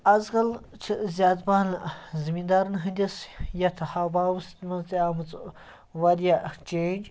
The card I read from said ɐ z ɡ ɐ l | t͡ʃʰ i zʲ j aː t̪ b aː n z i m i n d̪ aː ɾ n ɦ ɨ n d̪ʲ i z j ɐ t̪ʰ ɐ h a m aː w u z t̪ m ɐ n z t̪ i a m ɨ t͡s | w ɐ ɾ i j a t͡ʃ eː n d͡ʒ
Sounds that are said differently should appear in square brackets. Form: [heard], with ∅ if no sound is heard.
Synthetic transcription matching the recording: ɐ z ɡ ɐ l | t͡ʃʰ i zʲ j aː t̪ b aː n z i m i n d̪ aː ɾ n ɦ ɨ n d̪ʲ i [s] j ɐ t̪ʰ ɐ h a [b] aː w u [s] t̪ m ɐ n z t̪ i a m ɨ t͡s | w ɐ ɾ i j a t͡ʃ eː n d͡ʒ